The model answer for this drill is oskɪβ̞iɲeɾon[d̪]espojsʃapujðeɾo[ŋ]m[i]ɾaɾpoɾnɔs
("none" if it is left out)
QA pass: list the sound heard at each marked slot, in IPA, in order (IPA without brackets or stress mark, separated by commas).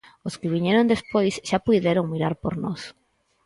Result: d̪, ŋ, i